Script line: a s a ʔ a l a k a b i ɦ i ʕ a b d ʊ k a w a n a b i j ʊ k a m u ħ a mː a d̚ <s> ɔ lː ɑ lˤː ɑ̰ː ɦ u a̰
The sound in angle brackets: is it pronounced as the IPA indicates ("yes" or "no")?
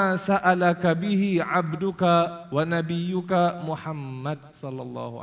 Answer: yes